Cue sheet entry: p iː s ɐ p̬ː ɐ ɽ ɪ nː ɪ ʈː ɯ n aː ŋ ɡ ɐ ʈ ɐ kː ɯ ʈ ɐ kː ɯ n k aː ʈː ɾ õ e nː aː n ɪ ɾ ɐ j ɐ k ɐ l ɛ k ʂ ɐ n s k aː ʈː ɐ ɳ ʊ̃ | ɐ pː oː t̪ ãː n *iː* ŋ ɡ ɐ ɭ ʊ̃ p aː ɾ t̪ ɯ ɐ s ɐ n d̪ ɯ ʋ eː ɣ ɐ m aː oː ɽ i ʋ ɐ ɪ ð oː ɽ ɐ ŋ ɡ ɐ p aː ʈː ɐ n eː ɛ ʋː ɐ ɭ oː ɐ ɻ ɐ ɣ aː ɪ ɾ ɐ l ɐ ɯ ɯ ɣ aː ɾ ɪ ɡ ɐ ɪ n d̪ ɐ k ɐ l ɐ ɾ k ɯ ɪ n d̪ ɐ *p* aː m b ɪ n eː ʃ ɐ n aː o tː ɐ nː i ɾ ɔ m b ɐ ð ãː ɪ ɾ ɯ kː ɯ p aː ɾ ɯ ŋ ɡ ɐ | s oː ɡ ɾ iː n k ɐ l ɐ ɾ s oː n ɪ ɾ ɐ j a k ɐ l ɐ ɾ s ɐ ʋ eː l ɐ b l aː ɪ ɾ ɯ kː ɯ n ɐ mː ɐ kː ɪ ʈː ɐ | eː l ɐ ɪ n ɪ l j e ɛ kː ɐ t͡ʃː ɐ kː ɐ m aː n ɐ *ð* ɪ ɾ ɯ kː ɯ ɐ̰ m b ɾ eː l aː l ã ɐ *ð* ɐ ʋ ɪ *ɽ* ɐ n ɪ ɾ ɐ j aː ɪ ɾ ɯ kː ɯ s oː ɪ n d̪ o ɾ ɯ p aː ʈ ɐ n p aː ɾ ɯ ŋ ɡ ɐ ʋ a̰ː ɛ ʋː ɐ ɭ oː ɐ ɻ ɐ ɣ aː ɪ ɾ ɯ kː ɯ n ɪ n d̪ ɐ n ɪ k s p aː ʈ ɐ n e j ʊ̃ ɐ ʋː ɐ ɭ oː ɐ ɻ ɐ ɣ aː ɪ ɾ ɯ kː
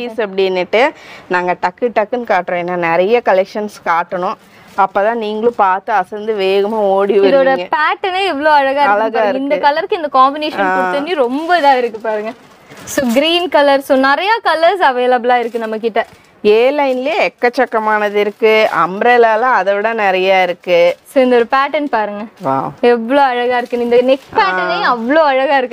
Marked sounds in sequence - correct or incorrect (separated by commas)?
correct, incorrect, correct, correct, correct